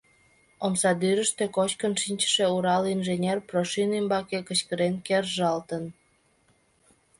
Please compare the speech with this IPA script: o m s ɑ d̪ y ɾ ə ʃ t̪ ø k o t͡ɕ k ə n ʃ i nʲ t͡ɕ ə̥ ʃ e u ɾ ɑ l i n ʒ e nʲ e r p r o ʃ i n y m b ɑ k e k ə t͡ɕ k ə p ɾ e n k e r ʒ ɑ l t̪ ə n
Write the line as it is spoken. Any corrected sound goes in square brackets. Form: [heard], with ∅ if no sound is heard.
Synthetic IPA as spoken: o m s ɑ d̪ y ɾ ə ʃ t̪ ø k o t͡ɕ k ə n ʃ i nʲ t͡ɕ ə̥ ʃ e u ɾ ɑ l i n ʒ e nʲ e r p r o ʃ i n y m b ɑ k e k ə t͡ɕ k ə [∅] ɾ e n k e r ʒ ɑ l t̪ ə n